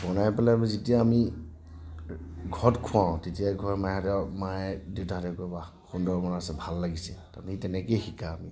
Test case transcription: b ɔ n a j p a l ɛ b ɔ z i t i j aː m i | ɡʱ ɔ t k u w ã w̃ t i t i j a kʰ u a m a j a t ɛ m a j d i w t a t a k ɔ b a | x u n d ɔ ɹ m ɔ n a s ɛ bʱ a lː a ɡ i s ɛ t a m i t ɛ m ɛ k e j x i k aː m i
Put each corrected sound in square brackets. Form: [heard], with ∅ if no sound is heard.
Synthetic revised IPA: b ɔ n a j p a l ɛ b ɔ z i t i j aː m i | ɡʱ ɔ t [kʰ] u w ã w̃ t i t i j a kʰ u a m a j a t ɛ m a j d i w t a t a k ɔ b a | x u n d ɔ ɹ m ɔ n a s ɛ bʱ a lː a ɡ i s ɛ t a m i t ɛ [n] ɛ k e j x i k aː m i